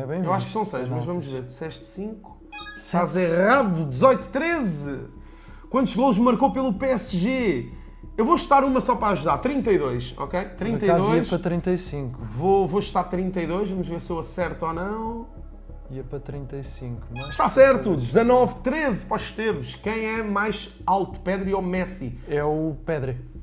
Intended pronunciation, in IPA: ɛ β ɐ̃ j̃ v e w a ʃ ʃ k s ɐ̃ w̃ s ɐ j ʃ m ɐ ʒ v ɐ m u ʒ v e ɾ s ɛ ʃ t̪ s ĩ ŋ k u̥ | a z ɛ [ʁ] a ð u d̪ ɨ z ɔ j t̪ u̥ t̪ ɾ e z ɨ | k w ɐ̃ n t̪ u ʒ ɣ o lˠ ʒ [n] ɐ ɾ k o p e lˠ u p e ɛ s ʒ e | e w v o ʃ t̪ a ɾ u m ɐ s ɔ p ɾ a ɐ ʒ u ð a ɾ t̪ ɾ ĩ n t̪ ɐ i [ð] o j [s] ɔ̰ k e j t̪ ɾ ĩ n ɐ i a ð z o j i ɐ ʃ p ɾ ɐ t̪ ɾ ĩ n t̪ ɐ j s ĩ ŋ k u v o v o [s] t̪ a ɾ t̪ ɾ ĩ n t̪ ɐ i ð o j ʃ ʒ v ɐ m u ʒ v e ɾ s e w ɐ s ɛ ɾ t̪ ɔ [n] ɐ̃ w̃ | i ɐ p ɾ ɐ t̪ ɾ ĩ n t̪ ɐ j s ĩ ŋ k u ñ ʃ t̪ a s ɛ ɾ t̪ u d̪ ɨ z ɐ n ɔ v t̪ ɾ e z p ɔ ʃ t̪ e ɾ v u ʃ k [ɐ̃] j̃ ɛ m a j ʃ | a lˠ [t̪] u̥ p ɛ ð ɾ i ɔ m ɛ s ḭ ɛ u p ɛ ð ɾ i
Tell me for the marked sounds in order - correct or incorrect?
correct, incorrect, correct, incorrect, incorrect, correct, correct, correct

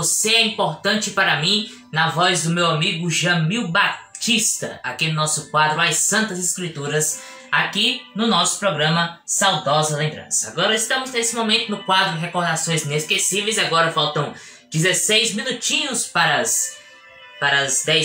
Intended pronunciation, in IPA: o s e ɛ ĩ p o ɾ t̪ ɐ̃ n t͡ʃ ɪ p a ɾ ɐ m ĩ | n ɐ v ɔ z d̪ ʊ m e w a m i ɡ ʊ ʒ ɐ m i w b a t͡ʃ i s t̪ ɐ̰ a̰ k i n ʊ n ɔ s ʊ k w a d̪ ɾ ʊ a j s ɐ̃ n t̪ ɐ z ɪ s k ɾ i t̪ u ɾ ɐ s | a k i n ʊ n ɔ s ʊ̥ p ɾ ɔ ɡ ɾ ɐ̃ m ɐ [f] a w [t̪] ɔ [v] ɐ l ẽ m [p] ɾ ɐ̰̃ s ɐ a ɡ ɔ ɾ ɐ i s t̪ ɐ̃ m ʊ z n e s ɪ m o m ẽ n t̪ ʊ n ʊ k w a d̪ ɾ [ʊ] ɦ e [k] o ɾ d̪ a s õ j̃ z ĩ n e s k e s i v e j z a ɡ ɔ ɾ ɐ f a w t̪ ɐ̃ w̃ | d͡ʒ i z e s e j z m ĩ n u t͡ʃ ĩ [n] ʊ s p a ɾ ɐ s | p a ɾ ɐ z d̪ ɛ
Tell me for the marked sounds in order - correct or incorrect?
incorrect, incorrect, incorrect, incorrect, correct, correct, incorrect

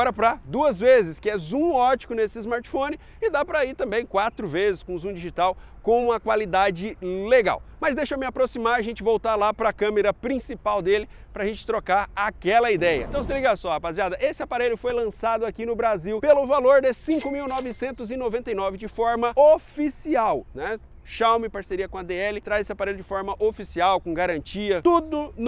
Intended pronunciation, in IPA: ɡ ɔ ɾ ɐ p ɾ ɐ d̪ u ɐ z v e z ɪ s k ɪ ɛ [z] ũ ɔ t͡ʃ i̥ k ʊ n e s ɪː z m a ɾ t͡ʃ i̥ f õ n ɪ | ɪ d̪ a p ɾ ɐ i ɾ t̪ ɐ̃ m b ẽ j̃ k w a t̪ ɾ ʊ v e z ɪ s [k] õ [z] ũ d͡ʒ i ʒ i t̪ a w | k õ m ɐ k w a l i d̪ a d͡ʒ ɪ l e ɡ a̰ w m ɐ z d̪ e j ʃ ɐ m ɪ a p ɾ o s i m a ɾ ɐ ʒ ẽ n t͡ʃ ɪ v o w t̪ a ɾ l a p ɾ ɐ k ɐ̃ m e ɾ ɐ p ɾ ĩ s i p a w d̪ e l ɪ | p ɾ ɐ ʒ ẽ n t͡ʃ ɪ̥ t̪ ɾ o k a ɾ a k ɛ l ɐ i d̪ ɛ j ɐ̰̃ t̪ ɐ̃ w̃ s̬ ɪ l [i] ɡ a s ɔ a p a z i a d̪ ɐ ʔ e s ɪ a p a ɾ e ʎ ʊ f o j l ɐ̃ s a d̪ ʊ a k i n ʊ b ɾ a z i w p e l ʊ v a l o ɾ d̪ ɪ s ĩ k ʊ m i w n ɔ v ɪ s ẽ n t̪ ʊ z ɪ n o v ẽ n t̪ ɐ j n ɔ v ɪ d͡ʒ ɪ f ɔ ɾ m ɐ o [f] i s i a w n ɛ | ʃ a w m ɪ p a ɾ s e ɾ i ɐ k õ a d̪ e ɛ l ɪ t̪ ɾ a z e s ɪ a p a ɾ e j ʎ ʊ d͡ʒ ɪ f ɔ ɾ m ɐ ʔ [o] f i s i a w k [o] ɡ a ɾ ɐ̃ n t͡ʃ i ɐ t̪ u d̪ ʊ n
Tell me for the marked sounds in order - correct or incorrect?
correct, correct, correct, correct, correct, correct, incorrect

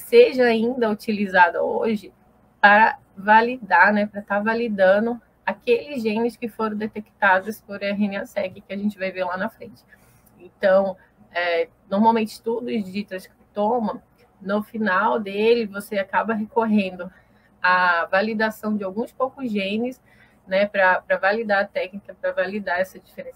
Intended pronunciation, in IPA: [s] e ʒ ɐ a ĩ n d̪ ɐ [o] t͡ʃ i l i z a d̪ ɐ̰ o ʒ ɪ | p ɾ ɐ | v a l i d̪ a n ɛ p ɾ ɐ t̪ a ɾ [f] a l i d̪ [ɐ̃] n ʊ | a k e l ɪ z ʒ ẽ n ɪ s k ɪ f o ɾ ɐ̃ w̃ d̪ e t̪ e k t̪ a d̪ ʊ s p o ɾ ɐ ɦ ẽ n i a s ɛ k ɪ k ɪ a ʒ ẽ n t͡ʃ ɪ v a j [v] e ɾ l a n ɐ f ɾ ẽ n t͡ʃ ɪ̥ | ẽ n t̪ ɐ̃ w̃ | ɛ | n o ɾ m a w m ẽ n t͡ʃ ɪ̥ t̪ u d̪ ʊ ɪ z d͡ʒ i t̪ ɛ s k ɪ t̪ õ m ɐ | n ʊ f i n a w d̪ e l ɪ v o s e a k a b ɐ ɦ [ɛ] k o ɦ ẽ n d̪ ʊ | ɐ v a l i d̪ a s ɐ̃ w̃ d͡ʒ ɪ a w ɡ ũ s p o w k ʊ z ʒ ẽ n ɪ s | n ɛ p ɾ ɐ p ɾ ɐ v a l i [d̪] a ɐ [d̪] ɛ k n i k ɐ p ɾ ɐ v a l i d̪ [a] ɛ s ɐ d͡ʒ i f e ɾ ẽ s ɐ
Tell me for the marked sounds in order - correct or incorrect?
correct, incorrect, incorrect, correct, correct, incorrect, correct, incorrect, correct

